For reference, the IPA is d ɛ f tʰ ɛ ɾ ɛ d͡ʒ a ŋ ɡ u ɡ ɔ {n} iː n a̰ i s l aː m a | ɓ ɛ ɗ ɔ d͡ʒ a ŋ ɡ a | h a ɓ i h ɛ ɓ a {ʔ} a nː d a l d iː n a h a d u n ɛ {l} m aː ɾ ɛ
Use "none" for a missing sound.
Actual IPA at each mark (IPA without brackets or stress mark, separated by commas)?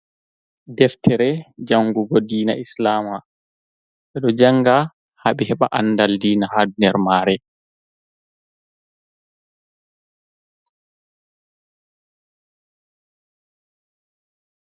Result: d, ʔ, ɾ